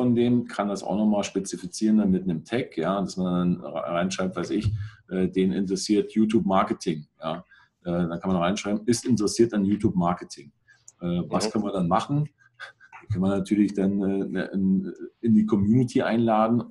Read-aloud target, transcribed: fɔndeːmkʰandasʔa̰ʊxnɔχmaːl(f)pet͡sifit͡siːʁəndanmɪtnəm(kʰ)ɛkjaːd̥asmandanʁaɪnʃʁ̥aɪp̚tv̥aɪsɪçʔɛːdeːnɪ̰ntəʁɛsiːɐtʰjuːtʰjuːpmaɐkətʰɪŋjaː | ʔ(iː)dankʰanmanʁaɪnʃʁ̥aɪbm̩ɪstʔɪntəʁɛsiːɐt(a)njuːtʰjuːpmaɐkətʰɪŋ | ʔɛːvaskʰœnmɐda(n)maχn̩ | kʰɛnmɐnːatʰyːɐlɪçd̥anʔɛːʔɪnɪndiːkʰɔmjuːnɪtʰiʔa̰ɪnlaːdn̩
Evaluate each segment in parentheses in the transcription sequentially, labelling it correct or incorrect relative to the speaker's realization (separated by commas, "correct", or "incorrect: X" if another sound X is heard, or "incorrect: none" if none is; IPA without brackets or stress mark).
incorrect: ʃ, incorrect: tʰ, incorrect: ɛː, correct, correct